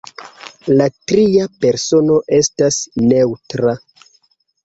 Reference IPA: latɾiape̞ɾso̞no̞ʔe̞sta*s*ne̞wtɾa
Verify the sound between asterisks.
correct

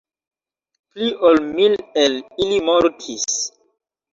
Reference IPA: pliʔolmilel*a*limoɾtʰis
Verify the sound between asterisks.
incorrect: i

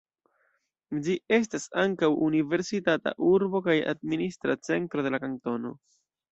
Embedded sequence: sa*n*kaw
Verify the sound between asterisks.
incorrect: ŋ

